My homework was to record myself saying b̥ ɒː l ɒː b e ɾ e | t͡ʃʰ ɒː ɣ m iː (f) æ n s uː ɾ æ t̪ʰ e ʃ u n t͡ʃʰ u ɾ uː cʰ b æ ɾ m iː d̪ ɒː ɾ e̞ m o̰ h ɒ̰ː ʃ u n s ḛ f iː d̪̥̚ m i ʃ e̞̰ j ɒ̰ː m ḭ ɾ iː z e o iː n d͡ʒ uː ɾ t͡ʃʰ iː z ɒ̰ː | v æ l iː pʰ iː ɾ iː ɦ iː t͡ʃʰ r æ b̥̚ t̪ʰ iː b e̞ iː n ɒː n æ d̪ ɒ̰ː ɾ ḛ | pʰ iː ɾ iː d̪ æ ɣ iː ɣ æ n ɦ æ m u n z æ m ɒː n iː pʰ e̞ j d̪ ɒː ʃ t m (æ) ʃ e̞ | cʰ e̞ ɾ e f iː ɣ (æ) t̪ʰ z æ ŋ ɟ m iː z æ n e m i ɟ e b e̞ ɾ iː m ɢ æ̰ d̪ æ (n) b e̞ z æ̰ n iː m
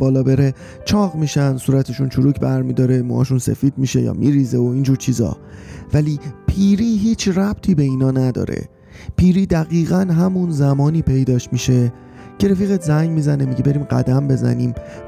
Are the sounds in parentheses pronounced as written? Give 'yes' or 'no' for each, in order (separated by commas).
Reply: no, no, no, no